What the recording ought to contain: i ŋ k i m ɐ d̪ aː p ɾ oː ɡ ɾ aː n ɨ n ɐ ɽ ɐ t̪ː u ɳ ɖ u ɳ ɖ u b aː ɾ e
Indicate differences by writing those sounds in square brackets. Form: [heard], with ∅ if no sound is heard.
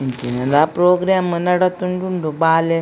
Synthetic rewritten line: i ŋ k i [n] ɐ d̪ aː p ɾ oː ɡ ɾ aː [m] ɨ n ɐ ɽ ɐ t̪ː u ɳ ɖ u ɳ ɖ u b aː [l] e